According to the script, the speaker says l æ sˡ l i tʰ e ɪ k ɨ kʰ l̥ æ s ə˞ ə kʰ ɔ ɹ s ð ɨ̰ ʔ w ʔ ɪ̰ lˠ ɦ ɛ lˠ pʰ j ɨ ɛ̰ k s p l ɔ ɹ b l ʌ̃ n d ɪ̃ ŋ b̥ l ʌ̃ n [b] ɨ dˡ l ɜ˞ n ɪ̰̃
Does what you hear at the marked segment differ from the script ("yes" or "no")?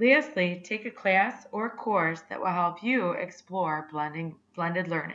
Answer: yes